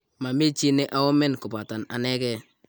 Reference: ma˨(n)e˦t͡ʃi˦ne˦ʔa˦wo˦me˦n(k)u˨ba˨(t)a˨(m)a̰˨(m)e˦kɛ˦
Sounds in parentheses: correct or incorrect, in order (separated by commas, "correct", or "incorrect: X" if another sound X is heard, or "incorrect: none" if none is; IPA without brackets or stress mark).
incorrect: m, correct, correct, incorrect: n, incorrect: n